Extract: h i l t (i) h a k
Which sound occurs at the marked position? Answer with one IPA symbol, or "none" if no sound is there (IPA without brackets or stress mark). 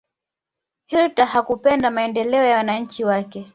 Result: a